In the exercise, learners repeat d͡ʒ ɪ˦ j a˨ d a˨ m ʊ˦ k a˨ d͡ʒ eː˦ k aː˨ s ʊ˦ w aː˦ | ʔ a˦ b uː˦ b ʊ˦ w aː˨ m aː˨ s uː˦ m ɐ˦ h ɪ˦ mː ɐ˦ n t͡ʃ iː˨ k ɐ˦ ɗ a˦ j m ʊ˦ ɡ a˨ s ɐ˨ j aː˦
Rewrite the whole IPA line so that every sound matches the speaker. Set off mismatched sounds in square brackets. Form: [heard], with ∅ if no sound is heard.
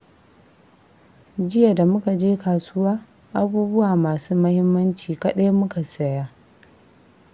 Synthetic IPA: d͡ʒ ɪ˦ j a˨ d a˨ m ʊ˦ k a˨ d͡ʒ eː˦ k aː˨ s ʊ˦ w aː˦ | ʔ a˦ b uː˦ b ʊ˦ w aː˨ m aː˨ s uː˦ m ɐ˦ h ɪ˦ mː ɐ˦ n t͡ʃ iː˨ k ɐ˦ ɗ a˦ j m ʊ˦ [k] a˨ s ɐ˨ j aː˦